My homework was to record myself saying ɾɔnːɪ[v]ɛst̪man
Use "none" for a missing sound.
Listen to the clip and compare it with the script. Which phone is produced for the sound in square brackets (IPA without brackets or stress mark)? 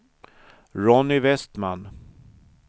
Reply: v